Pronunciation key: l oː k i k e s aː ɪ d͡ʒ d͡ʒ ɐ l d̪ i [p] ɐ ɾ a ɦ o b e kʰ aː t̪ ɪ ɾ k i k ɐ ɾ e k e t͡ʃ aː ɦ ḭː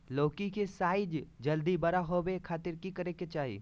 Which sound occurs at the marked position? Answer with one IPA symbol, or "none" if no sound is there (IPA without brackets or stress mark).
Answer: b